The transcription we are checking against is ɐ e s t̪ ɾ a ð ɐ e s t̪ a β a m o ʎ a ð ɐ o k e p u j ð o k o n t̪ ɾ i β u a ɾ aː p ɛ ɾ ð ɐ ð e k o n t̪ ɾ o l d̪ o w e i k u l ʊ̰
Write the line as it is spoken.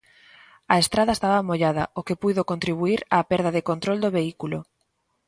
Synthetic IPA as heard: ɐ e s t̪ ɾ a ð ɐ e s t̪ a β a m o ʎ a ð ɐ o k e p u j ð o k o n t̪ ɾ i β u i ɾ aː p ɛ ɾ ð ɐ ð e k o n t̪ ɾ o l d̪ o β e i k u l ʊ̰